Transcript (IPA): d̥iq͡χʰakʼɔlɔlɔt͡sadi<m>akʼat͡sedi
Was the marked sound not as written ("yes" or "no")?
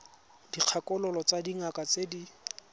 yes